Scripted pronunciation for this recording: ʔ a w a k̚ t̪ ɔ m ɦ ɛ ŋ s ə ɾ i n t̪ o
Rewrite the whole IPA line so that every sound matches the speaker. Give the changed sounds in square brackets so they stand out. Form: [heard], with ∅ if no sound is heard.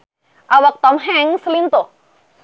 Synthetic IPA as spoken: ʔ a w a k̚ t̪ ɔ m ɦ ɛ ŋ s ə [l] i n t̪ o